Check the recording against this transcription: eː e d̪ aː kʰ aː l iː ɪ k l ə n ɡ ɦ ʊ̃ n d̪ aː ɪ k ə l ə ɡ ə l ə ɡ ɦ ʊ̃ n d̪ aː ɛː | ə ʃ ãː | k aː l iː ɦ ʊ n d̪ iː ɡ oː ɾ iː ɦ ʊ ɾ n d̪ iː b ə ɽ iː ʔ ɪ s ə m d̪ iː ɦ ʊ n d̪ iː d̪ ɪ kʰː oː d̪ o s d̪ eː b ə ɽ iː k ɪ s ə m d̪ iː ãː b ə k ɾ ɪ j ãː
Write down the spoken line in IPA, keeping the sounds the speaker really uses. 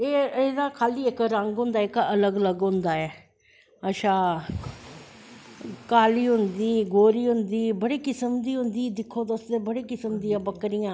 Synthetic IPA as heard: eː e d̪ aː kʰ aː l iː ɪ k ɾ ə ŋ ɡ ɦ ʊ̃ n d̪ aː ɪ k ə l ə ɡ ə l ə ɡ ɦ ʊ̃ n d̪ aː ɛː | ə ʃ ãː | k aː l iː ɦ ʊ n d̪ iː ɡ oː ɾ iː ɦ ʊ n d̪ iː b ə ɽ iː k ɪ s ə m d̪ iː ɦ ʊ n d̪ iː d̪ ɪ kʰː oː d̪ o s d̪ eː b ə ɽ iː k ɪ s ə m d̪ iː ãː b ə k ɾ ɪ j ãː